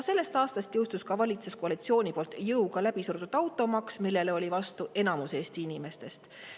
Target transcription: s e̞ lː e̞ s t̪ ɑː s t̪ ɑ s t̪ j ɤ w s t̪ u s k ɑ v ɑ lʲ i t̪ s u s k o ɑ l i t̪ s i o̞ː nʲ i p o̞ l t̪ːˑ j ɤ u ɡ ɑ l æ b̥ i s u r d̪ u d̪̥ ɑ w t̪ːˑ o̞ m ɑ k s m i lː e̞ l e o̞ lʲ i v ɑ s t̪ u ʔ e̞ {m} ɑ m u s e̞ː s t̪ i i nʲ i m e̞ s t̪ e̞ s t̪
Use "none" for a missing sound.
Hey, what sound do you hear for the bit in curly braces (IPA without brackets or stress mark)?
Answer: n